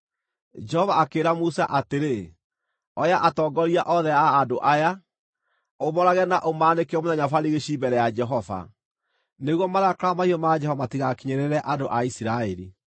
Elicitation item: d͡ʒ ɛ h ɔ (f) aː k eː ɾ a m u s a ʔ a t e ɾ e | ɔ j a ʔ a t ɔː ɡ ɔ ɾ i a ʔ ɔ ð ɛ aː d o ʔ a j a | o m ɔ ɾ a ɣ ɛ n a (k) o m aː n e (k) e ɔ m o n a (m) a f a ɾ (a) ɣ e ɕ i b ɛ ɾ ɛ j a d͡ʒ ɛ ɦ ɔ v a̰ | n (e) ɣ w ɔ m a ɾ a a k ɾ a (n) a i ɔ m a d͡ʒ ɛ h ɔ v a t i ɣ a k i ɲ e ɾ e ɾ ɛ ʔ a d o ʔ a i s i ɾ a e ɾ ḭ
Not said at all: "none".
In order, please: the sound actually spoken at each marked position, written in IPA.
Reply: v, ʔ, k, ɲ, i, e, m

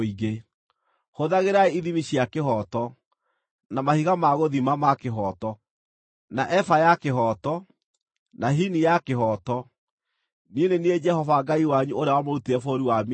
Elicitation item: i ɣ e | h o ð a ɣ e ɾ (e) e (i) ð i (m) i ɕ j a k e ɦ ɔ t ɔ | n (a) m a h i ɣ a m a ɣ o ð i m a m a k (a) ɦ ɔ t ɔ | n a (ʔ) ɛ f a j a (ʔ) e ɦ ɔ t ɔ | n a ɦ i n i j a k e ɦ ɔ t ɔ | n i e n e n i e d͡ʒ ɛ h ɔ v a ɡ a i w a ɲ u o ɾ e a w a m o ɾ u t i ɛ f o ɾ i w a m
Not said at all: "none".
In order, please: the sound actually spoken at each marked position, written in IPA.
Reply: a, i, m, a, e, ʔ, k

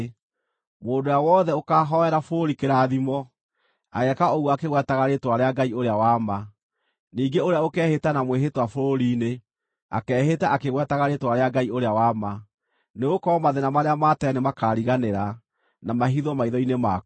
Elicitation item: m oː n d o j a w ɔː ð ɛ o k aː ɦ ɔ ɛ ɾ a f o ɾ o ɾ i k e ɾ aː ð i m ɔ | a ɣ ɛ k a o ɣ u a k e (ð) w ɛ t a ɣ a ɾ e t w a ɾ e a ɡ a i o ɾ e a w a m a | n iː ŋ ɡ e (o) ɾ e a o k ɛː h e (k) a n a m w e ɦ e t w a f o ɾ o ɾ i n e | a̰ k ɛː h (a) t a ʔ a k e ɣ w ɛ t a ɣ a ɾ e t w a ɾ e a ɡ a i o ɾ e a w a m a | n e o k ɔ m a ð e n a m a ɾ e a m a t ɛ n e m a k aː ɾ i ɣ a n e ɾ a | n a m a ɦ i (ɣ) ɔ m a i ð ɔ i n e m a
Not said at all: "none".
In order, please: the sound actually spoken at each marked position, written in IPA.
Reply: ɣ, o, t, e, ð

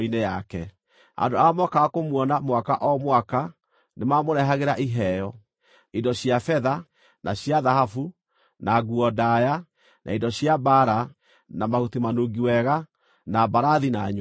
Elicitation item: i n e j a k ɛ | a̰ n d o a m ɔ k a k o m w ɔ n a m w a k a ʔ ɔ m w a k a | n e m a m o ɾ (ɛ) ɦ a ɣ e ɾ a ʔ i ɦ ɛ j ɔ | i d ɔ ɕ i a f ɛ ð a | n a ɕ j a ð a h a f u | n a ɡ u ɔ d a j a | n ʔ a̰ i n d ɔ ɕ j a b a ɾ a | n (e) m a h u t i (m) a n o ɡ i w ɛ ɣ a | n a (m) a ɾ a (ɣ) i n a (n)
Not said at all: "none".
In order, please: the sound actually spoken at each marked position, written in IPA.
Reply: ɛ, a, m, b, ð, ɲ

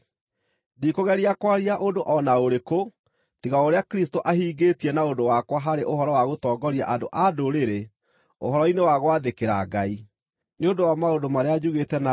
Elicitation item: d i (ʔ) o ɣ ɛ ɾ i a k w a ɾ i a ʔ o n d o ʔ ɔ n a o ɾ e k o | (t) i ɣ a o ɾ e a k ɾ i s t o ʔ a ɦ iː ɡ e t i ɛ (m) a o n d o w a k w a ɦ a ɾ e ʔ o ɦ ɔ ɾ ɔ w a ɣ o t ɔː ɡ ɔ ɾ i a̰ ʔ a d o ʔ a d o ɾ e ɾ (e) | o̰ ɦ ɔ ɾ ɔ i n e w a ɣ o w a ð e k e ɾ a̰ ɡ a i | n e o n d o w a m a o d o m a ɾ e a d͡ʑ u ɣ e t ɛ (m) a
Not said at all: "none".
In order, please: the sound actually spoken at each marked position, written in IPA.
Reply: k, t, n, e, n

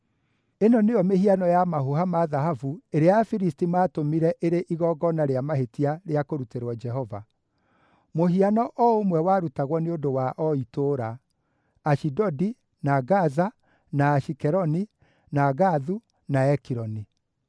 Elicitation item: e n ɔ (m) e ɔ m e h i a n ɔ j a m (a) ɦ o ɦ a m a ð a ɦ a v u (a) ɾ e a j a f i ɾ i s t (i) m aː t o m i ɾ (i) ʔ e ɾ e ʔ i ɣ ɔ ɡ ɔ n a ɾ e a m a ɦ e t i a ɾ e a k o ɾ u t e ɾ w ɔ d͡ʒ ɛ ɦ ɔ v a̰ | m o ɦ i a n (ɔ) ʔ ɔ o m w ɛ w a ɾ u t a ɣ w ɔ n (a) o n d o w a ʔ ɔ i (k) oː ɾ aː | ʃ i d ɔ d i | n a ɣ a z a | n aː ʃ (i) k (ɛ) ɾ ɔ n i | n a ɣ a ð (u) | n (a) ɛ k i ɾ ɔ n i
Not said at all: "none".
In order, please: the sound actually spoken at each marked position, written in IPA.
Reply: n, a, e, i, ɛ, ɔ, e, t, i, ɛ, u, a

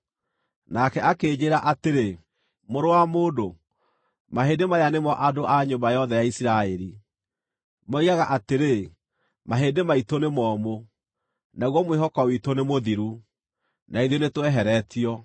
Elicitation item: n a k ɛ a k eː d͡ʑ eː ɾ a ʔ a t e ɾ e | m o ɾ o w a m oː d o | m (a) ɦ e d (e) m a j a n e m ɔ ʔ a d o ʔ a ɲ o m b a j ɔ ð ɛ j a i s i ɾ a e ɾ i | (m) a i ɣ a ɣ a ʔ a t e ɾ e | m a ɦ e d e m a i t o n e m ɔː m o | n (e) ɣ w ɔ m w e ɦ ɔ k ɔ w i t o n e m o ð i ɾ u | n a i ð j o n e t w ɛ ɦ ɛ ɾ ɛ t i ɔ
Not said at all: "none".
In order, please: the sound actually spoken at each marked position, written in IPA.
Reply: a, e, m, a

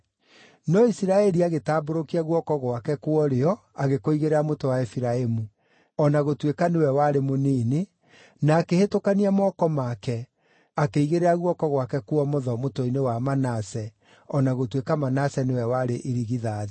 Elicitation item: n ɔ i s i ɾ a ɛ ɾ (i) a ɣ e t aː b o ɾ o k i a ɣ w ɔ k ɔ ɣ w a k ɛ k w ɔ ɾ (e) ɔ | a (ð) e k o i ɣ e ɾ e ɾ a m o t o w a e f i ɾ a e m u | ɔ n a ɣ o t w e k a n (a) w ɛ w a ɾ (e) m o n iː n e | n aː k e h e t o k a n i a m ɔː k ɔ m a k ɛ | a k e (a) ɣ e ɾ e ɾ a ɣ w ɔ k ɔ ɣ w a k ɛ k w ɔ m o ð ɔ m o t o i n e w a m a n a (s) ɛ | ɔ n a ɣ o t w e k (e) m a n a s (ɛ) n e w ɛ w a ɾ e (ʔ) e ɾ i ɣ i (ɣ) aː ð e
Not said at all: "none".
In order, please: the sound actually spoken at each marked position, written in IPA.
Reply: i, e, ɣ, e, e, i, s, a, ɛ, ʔ, ð

